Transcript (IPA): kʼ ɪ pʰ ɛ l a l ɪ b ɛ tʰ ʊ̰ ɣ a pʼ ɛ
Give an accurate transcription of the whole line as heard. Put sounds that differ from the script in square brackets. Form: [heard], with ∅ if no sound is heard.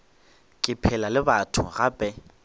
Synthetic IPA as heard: kʼ ɪ pʰ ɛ l a l ɪ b [a] tʰ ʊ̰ ɣ a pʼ ɛ